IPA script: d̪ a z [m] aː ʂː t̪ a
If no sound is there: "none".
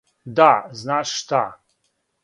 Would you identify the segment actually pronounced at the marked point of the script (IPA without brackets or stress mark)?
n